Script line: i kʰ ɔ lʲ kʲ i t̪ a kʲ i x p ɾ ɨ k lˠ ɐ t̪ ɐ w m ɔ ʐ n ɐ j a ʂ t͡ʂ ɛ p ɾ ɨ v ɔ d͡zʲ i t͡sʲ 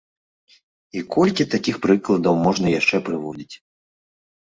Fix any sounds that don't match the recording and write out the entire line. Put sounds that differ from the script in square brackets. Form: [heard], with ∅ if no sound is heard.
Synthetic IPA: i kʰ ɔ lʲ kʲ i t̪ a kʲ i x p ɾ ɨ k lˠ ɐ [d̪] ɐ w m ɔ ʐ n ɐ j a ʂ t͡ʂ ɛ p ɾ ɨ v ɔ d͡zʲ i t͡sʲ